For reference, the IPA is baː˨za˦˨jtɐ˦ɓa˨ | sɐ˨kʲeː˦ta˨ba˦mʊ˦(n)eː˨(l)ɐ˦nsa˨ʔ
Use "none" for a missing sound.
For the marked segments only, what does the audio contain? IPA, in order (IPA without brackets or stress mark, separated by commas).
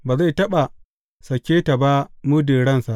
d, ɽ